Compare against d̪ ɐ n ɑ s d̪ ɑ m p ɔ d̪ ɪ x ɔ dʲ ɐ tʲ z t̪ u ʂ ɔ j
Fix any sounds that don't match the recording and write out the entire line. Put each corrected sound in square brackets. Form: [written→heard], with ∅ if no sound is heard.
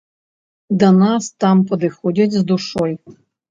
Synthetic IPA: d̪ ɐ n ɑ s [d̪→t̪] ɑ m p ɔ d̪ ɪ x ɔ dʲ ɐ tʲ z [t̪→d̪] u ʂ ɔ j